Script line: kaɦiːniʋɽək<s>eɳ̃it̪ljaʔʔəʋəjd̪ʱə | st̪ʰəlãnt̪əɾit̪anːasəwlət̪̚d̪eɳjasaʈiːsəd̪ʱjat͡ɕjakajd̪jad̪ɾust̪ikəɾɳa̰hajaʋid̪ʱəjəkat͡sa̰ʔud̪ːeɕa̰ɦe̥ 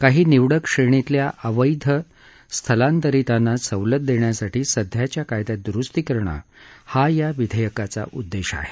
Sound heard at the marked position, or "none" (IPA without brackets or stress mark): ʂ